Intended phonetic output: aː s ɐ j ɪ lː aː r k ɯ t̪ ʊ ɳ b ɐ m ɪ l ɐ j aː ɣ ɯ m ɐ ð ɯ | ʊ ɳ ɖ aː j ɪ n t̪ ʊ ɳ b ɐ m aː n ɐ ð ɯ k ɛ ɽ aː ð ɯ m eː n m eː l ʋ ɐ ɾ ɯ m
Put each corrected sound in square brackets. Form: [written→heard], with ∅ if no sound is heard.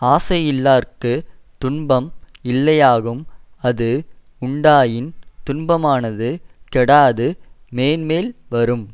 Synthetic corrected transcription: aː s ɐ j ɪ lː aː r k ɯ t̪ ʊ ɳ b ɐ m ɪ [l→lː] ɐ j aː ɣ ɯ m ɐ ð ɯ | ʊ ɳ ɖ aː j ɪ n t̪ ʊ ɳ b ɐ m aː n ɐ ð ɯ k ɛ ɽ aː ð ɯ m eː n m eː l ʋ ɐ ɾ ɯ m